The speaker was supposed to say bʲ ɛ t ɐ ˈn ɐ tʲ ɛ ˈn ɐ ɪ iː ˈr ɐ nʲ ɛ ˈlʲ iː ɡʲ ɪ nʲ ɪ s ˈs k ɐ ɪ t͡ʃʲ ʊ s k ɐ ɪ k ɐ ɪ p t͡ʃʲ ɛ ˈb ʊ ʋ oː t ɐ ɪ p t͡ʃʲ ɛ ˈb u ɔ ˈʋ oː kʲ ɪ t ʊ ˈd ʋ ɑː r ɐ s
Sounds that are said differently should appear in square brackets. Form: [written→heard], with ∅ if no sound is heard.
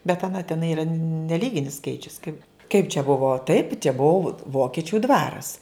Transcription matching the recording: bʲ ɛ t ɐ ˈn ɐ tʲ ɛ ˈn ɐ ɪ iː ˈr ɐ nʲ ɛ ˈlʲ iː ɡʲ ɪ nʲ ɪ s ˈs k ɐ ɪ t͡ʃʲ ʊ s k ɐ ɪ k ɐ ɪ p t͡ʃʲ ɛ ˈb ʊ ʋ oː t ɐ ɪ p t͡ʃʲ ɛ ˈb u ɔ ˈʋ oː kʲ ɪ [t→t͡ʃʲ] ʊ ˈd ʋ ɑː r ɐ s